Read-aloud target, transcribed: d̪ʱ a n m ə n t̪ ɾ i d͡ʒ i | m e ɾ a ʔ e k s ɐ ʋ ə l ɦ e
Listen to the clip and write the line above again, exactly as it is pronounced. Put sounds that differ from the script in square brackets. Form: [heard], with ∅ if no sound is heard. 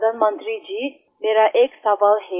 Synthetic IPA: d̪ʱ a n m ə n t̪ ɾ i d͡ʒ i | m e ɾ a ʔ e k s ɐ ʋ [a] l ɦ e

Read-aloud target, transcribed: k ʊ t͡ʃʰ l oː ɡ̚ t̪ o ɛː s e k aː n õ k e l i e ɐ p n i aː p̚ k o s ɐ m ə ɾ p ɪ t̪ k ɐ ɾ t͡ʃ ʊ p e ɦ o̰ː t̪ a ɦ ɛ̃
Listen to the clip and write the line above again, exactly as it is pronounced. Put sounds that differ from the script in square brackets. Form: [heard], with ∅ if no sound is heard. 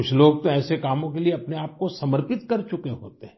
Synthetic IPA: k ʊ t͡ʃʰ l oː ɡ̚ t̪ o ɛː s e k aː [m] õ k e l i e ɐ p n [e] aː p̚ k o s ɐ m ə ɾ p ɪ t̪ k ɐ ɾ t͡ʃ ʊ [k] e ɦ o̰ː t̪ [e] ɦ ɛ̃

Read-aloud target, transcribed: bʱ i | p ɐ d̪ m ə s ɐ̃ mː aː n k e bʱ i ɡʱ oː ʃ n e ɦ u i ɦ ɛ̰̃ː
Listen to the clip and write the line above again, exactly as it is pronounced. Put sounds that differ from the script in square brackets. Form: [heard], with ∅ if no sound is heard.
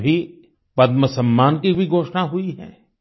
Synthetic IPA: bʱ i | p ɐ d̪ m ə s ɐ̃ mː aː n k [i] bʱ i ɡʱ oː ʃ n [a] ɦ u i ɦ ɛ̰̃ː

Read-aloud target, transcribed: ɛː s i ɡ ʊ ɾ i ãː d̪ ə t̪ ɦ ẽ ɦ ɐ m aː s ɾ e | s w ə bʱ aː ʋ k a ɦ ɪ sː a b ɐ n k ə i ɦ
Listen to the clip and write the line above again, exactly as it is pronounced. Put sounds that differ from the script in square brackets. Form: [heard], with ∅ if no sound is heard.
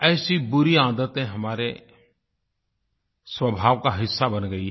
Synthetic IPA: ɛː s i [b] ʊ ɾ i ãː d̪ ə t̪ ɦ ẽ ɦ ɐ m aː [∅] ɾ e | s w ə bʱ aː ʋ k a ɦ ɪ sː a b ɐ n [ɡ] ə i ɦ

